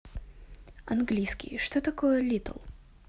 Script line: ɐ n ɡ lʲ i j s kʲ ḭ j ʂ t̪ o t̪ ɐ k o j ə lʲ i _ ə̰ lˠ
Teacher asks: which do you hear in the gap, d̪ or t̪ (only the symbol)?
t̪